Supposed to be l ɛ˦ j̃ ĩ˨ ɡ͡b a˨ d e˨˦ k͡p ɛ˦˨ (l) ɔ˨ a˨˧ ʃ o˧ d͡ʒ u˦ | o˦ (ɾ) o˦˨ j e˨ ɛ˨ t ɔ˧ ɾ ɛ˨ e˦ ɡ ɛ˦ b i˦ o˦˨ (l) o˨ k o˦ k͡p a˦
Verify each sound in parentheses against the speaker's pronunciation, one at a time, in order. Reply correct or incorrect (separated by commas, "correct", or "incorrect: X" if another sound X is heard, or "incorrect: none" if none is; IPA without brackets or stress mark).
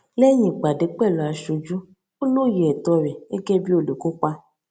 correct, incorrect: l, correct